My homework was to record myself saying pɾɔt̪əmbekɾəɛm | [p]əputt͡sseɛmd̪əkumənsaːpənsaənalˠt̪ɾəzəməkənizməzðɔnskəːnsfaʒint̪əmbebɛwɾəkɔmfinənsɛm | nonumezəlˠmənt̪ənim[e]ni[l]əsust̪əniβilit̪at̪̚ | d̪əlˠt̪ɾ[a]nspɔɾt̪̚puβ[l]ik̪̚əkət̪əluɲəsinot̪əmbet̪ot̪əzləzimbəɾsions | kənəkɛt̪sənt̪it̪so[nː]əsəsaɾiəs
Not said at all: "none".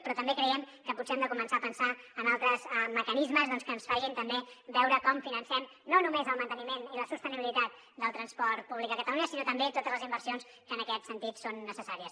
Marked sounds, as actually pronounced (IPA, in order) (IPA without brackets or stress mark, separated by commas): k, e, l, ə, l, nː